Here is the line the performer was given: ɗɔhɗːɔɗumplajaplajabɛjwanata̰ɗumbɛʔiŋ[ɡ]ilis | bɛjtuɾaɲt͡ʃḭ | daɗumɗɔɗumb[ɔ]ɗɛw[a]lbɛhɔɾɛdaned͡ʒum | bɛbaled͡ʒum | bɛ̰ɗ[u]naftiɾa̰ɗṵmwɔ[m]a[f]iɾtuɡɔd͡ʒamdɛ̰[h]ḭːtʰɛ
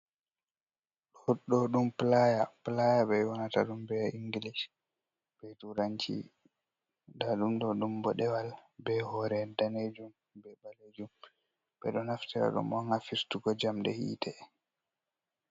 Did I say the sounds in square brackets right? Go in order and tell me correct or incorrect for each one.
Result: correct, correct, correct, incorrect, incorrect, correct, correct

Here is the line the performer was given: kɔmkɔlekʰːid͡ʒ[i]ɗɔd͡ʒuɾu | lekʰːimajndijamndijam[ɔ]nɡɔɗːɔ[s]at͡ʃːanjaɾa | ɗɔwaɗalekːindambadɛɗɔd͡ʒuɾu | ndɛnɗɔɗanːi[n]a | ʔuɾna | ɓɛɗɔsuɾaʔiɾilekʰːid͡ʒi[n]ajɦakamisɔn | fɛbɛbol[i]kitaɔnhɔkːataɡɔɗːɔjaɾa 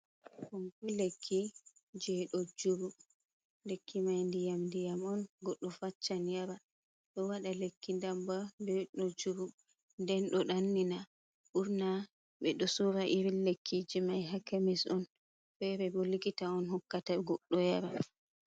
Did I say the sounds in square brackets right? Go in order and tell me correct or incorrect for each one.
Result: incorrect, correct, incorrect, correct, incorrect, correct

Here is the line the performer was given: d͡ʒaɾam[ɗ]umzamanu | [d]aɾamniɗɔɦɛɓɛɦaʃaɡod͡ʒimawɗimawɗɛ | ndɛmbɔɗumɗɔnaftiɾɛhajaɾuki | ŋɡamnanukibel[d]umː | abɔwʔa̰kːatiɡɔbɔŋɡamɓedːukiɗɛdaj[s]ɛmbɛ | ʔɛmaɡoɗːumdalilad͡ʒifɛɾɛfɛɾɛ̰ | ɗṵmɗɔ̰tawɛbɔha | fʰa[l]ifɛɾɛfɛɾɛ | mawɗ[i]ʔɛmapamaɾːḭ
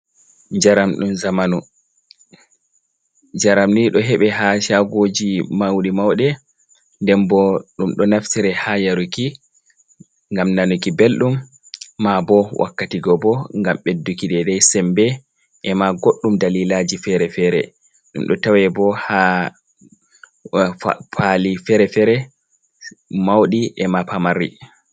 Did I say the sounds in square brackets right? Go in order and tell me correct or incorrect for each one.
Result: correct, incorrect, incorrect, correct, correct, correct

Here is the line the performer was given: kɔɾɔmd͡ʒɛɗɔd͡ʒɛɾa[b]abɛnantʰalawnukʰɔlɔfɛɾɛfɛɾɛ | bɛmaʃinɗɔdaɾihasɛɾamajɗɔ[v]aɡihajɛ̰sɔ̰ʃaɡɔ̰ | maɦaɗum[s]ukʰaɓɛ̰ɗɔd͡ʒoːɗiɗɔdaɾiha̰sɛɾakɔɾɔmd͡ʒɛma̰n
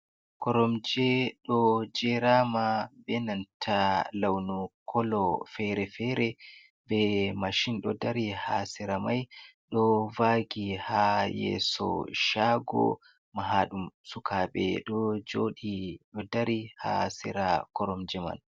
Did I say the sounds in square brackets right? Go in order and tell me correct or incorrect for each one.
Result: incorrect, correct, correct

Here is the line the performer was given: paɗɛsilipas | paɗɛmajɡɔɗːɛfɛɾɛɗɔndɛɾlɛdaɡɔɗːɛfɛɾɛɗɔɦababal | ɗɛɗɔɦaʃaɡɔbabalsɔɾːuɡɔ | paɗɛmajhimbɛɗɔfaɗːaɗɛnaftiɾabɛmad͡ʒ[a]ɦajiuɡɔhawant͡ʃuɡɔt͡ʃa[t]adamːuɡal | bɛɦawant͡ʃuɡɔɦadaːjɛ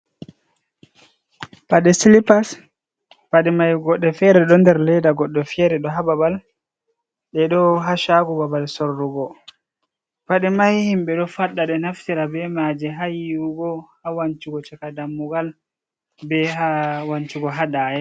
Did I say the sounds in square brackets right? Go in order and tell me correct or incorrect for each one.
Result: incorrect, incorrect

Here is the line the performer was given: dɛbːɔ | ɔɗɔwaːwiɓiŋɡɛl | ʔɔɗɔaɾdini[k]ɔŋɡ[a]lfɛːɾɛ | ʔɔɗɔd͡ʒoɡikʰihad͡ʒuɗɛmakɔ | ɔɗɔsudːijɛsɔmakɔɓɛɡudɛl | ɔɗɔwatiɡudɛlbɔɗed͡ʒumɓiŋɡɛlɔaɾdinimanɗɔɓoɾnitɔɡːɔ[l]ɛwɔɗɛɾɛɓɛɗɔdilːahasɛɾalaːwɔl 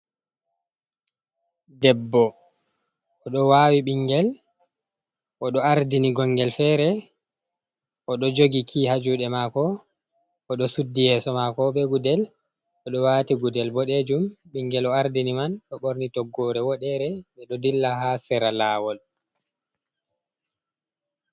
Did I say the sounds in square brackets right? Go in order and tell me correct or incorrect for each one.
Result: incorrect, incorrect, incorrect

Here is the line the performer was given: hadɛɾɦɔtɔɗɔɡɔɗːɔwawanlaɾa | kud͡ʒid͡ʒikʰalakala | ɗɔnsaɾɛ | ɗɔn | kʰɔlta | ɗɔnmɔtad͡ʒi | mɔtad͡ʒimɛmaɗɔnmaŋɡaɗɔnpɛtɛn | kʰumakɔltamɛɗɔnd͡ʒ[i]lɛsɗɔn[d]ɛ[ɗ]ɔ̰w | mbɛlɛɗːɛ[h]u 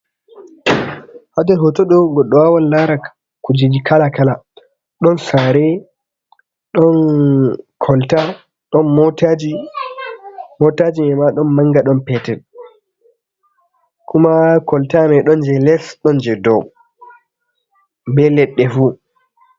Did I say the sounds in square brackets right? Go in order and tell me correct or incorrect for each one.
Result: incorrect, incorrect, incorrect, incorrect

